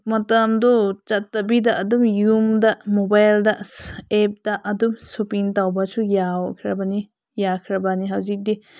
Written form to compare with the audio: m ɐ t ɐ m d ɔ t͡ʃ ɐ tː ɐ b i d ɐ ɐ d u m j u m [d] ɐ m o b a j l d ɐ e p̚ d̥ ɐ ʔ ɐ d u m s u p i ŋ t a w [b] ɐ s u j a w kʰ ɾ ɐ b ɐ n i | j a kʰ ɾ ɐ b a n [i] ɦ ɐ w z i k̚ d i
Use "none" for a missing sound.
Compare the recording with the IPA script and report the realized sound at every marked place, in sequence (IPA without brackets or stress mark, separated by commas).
d, b, i